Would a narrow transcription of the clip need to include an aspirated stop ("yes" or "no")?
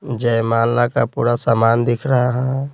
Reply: yes